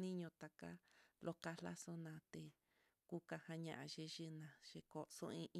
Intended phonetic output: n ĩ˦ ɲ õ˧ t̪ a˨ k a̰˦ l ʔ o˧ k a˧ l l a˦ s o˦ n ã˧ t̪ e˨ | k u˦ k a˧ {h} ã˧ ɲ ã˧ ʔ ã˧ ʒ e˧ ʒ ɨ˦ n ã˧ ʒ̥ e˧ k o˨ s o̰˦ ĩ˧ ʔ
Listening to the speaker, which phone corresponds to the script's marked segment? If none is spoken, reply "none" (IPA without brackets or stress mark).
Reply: h